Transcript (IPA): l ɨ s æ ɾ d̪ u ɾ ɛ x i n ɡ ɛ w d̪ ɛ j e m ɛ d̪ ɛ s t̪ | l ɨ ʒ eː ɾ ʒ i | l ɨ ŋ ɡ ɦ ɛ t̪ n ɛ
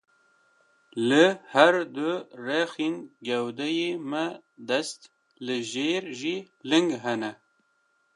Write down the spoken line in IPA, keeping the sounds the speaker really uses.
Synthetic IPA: l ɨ h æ ɾ d̪ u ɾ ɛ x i n ɡ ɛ w d̪ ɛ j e m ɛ d̪ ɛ s t̪ | l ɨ ʒ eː ɾ ʒ i | l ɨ ŋ ɡ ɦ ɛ n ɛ